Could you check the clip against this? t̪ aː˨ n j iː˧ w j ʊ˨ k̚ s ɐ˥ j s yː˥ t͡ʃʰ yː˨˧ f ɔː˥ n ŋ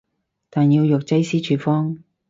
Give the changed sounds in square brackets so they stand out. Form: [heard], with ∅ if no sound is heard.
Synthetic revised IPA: t̪ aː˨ n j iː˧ w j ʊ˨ k̚ [t͡s] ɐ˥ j s [iː˥] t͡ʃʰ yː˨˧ f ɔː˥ [∅] ŋ